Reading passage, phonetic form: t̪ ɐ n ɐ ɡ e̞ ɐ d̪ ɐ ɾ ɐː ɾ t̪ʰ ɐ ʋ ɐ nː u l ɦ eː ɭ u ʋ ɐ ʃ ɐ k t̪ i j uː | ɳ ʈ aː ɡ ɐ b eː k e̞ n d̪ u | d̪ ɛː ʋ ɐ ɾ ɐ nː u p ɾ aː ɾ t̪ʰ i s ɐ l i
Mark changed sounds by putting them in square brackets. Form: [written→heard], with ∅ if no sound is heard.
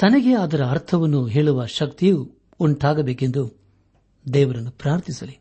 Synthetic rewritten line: t̪ ɐ n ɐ ɡ e̞ ɐ d̪ ɐ ɾ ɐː ɾ t̪ʰ ɐ ʋ ɐ nː u [l→∅] ɦ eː ɭ u ʋ ɐ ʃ ɐ k t̪ i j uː | ɳ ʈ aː ɡ ɐ b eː k e̞ n d̪ u | d̪ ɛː ʋ ɐ ɾ ɐ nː u p ɾ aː ɾ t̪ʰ i s ɐ l i